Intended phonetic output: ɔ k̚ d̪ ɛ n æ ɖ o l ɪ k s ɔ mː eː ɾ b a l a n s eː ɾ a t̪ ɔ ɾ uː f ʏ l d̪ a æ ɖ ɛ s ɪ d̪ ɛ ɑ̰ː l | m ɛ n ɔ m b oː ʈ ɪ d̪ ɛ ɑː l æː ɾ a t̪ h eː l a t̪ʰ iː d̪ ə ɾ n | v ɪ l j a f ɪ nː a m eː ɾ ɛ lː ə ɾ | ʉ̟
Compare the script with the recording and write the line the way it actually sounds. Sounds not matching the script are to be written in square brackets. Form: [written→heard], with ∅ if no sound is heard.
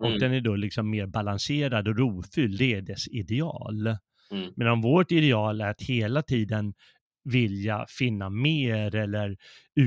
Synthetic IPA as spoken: ɔ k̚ d̪ ɛ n æ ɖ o l ɪ k s ɔ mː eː ɾ b a l a n s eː ɾ a [t̪→d̪] ɔ ɾ uː f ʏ l d̪ [a→ɛ] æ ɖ ɛ s ɪ d̪ ɛ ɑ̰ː l | m ɛ n ɔ m [b→v] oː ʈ ɪ d̪ ɛ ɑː l [æː→æ] ɾ a t̪ h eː l a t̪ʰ iː d̪ ə [ɾ→∅] n | v ɪ l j a f ɪ nː a m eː ɾ ɛ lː ə ɾ | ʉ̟